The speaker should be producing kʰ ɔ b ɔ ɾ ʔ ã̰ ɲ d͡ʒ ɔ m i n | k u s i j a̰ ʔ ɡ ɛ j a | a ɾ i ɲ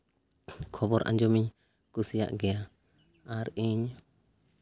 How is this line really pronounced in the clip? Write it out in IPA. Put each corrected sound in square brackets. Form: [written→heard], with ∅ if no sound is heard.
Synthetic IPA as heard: kʰ ɔ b ɔ ɾ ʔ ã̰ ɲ d͡ʒ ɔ m i [n→ɲ] | k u s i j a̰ ʔ ɡ ɛ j a | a ɾ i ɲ